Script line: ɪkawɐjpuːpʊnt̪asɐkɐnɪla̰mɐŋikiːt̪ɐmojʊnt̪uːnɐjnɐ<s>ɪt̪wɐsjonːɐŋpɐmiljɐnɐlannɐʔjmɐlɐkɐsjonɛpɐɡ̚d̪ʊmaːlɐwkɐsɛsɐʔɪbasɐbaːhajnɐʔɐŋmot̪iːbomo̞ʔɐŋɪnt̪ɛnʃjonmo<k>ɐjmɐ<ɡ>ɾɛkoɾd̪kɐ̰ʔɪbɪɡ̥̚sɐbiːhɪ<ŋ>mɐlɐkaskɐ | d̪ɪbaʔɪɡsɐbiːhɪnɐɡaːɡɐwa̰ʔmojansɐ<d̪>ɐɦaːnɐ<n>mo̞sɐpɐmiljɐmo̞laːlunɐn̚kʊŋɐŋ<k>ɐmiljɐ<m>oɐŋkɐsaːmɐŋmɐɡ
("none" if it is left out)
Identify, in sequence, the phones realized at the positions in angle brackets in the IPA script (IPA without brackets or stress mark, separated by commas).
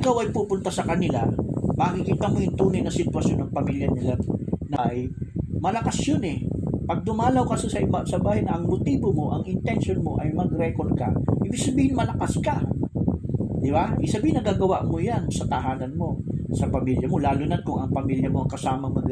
s, ʔ, ɡ, n, t̪, n, p, m